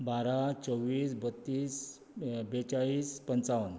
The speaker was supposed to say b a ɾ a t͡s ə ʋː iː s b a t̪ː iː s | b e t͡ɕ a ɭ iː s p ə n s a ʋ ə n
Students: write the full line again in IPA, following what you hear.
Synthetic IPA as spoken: b a ɾ a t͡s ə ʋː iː s b ə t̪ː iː s | b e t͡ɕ a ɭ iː s p ə n t͡s a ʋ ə n